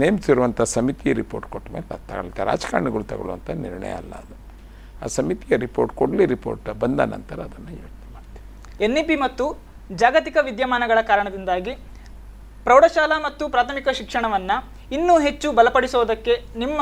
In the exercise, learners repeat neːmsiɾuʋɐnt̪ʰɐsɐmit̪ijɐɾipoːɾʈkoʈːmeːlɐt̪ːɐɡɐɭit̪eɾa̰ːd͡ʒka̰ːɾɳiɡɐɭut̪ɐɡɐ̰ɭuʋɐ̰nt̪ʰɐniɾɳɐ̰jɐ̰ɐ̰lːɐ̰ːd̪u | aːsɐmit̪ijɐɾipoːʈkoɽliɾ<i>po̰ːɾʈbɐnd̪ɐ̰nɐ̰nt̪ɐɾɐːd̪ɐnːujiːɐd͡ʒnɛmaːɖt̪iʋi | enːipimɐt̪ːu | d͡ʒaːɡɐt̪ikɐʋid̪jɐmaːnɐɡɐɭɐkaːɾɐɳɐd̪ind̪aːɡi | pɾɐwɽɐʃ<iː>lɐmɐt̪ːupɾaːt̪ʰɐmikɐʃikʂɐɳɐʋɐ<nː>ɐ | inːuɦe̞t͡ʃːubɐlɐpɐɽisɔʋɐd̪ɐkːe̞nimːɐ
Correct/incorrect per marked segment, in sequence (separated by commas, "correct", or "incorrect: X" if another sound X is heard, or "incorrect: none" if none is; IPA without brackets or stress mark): correct, incorrect: aː, correct